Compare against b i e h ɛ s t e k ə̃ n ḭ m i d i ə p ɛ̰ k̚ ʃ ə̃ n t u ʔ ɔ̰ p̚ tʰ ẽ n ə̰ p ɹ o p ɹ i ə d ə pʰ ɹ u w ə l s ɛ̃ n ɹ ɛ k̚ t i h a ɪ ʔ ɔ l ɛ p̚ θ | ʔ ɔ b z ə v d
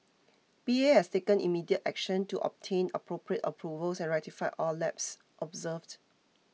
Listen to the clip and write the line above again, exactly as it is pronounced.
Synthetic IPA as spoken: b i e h ɛ s t e k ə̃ n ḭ m i d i ə t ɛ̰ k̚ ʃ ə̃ n t u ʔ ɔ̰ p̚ tʰ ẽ n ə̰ p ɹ o p ɹ i ə t ə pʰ ɹ u v ə l s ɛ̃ n ɹ ɛ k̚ t i f a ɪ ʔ ɔ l ɛ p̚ s | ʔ ɔ b z ə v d

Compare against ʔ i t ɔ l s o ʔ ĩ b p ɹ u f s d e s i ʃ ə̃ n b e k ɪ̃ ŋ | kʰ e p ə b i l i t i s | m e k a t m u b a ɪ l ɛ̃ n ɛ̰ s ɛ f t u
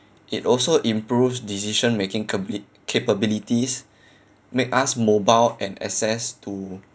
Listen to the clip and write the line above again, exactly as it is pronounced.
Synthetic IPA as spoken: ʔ i t ɔ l s o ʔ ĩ m p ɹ u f s d i s i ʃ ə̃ n m e k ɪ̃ ŋ | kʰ e p ə b i l i t i s | m e k a s m o b a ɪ l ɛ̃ n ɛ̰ s ɛ s t u

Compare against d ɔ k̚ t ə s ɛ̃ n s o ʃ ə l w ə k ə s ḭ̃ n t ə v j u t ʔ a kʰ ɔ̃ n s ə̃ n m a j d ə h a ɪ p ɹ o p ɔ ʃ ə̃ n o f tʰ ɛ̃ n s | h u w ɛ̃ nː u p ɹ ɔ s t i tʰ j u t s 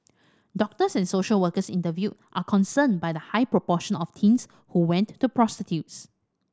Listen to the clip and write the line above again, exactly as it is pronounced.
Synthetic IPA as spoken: d ɔ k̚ t ə s ɛ̃ n s o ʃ ə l w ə k ə s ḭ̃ n t ə v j u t ʔ a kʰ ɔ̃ n s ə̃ n b a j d ə h a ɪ p ɹ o p ɔ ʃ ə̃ n ɔ f tʰ ĩ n s | h u w ɛ̃ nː u p ɹ ɔ s t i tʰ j u t s

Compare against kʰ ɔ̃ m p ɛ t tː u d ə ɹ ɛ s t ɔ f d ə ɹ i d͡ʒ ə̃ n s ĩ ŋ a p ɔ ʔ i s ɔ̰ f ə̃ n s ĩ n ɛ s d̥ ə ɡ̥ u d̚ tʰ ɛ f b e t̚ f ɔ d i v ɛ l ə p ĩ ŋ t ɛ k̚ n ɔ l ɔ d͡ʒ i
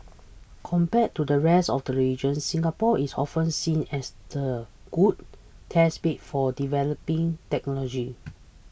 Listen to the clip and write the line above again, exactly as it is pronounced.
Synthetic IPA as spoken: kʰ ɔ̃ m p ɛ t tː u d ə ɹ ɛ s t ɔ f d ə ɹ i d͡ʒ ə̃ n s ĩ ŋ a p ɔ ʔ i s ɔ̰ f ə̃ n s ĩ n ɛ s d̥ ə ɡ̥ u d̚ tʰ ɛ s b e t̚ f ɔ d i v ɛ l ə p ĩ ŋ t ɛ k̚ n ɔ l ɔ d͡ʒ i

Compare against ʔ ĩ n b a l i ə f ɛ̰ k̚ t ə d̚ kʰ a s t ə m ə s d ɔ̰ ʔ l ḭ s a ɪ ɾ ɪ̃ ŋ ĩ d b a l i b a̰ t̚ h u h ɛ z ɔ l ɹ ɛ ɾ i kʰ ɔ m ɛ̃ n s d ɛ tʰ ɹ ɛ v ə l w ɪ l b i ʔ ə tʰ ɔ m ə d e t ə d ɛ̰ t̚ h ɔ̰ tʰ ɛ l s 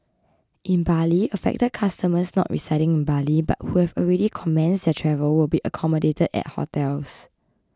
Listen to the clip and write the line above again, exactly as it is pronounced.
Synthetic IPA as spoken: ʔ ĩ n b a l i ə f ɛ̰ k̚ t ə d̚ kʰ a s t ə m ə s n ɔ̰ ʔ ɹ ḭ s a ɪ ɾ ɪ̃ ŋ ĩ n b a l i b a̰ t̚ h u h ɛ v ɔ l ɹ ɛ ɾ i kʰ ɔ m ɛ̃ n s d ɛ tʰ ɹ ɛ v ə l w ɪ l b i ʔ ə kʰ ɔ m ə d e t ə d ɛ̰ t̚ h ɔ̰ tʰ ɛ l s

